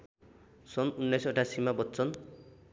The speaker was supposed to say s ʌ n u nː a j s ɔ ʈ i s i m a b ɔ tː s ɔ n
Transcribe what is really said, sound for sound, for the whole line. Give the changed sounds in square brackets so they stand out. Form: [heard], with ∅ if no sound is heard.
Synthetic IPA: s [ɔ] n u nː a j s ɔ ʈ [a] s i m a b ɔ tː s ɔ n